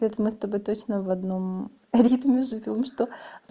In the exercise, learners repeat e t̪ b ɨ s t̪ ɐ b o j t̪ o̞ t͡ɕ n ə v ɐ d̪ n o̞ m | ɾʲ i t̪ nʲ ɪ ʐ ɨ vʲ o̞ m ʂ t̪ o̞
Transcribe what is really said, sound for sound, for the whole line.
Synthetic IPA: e t̪ m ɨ s t̪ ɐ b o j t̪ o̞ t͡ɕ n ə v ɐ d̪ n o̞ m | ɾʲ i t̪ mʲ ɪ ʐ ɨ vʲ o̞ m ʂ t̪ o̞